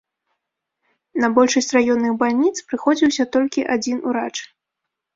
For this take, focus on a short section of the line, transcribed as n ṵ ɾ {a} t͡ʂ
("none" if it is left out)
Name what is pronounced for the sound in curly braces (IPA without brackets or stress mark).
a